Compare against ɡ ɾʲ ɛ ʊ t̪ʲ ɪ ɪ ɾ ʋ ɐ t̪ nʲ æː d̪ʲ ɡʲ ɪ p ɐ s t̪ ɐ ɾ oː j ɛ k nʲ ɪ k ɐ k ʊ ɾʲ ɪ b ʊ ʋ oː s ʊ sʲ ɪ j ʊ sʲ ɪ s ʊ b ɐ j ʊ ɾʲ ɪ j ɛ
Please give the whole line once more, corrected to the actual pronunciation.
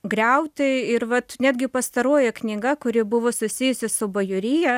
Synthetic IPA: ɡ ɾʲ ɛ ʊ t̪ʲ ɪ ɪ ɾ ʋ ɐ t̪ nʲ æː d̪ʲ ɡʲ ɪ p ɐ s t̪ ɐ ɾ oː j ɛ k nʲ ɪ ɡ ɐ k ʊ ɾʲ ɪ b ʊ ʋ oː s ʊ sʲ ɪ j ʊ sʲ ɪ s ʊ b ɐ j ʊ ɾʲ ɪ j ɛ